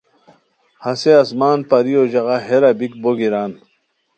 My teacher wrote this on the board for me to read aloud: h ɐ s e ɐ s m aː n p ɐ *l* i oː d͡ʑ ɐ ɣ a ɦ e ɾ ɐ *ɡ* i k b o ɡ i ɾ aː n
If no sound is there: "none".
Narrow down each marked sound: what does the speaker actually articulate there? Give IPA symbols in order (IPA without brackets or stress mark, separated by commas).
ɾ, b